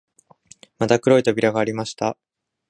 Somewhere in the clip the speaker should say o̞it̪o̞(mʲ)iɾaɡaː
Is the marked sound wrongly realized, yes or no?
yes